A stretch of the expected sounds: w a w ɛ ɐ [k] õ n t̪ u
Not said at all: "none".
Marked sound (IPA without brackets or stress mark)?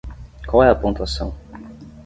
p